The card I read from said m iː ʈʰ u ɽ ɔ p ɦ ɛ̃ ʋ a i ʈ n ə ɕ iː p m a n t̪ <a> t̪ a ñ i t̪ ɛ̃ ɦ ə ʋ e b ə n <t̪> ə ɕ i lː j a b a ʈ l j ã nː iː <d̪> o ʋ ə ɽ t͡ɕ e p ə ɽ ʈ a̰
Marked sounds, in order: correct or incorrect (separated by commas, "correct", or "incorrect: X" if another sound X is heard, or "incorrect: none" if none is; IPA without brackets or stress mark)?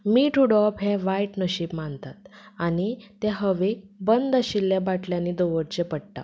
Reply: correct, incorrect: d̪, correct